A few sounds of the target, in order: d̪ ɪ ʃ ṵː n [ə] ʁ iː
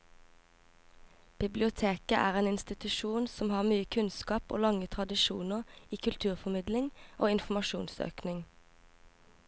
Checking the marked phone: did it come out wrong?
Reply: no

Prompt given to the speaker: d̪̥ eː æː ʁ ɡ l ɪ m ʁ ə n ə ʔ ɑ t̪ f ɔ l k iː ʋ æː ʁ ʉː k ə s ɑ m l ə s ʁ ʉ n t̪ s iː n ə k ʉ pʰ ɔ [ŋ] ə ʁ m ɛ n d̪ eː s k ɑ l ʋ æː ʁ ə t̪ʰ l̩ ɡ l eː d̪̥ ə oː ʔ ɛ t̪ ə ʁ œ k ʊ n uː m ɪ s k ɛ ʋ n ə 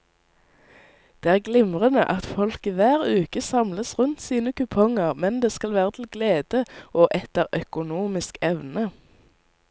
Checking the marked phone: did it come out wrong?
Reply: no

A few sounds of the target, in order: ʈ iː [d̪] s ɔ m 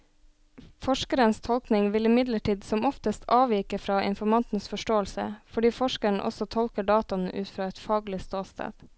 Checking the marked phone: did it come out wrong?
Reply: no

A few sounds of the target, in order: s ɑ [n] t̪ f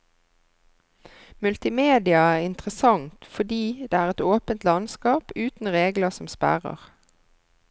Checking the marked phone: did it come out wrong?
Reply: yes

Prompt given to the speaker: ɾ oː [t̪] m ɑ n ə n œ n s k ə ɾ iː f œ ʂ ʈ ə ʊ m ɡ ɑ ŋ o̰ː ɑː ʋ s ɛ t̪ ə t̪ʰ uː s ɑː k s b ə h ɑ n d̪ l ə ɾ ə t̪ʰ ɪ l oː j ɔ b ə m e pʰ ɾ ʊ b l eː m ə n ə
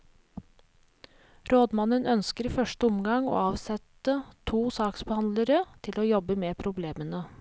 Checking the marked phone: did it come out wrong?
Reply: yes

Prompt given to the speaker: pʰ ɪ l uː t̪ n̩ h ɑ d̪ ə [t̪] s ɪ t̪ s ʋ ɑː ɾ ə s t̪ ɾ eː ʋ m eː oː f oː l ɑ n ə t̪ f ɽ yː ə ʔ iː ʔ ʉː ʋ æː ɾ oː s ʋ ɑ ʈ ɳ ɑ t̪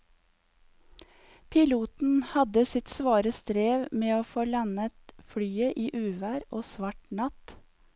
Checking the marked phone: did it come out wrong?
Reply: yes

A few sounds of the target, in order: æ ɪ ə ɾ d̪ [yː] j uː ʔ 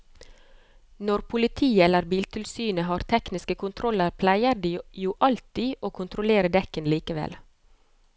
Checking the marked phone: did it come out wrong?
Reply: yes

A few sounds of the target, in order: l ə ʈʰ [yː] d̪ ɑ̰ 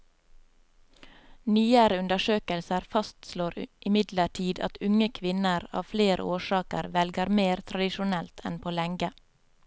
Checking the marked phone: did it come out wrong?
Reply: yes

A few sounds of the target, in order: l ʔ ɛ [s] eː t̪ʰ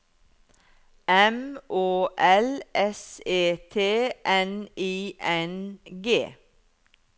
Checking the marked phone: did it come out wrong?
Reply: no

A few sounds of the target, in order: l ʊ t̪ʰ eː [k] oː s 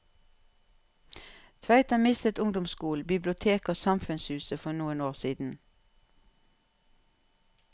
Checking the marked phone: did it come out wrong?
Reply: no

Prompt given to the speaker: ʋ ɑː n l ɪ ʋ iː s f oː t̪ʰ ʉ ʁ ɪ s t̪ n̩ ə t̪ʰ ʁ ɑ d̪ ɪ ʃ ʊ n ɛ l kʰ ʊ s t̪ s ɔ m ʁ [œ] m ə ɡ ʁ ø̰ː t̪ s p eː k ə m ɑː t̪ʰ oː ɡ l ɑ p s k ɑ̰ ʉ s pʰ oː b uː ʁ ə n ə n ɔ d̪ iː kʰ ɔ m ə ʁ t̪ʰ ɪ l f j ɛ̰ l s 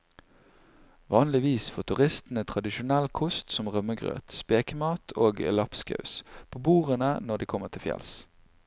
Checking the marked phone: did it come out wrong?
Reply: no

